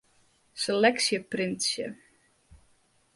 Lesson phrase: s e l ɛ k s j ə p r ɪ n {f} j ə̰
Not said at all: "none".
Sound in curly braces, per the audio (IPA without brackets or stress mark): s